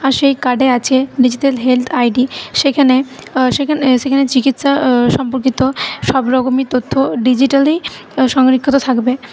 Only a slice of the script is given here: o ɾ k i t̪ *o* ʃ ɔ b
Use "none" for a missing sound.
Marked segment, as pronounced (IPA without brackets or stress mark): o